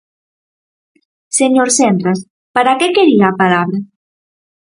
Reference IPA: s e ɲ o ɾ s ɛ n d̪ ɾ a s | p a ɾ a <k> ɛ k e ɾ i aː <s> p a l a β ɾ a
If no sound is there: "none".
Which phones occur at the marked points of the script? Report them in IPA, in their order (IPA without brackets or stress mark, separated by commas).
k, none